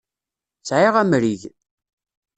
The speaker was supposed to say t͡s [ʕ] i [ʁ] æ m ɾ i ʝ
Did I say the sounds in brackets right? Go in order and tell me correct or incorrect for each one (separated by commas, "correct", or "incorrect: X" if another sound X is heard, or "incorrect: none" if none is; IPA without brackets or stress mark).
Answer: correct, correct